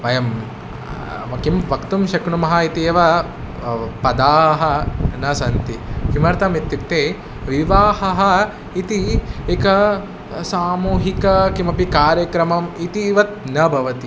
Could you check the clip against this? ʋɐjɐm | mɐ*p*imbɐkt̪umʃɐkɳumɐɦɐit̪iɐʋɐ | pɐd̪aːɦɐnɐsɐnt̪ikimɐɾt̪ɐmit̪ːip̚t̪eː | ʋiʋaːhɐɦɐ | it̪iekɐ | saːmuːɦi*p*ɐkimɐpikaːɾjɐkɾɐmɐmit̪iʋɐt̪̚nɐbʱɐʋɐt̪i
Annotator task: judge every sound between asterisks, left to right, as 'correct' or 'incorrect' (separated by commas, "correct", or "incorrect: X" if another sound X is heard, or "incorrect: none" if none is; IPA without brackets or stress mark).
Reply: incorrect: k, incorrect: k